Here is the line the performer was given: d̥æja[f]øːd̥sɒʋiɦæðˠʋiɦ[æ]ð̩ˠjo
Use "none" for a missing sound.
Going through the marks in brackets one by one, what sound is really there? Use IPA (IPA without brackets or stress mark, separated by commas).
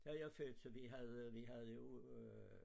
f, æ